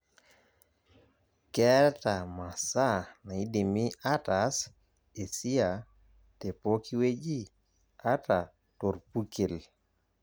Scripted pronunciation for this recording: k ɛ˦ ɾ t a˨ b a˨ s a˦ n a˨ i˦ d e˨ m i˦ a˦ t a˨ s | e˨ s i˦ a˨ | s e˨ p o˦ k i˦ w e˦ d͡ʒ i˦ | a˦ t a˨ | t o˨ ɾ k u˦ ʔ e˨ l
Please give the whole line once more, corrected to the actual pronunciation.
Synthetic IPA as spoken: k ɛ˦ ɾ t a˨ m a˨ s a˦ n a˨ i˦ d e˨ m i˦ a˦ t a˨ s | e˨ s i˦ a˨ | t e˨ p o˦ k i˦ w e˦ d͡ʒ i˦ | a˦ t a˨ | t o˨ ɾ p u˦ k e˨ l